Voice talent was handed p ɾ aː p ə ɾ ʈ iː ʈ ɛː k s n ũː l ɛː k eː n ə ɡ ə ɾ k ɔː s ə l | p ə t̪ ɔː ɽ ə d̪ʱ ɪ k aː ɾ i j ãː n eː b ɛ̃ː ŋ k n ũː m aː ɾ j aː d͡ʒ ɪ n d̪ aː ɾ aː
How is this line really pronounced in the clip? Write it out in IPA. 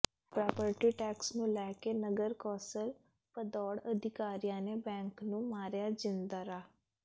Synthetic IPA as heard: p ɾ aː p ə ɾ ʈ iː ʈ ɛː k s n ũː l ɛː k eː n ə ɡ ə ɾ k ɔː s ə l | p ə d̪ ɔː ɽ ə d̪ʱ ɪ k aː ɾ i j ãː n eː b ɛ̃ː ŋ k n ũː m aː ɾ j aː d͡ʒ ɪ n d̪ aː ɾ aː